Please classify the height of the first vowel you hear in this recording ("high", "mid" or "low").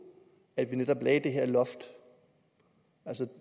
low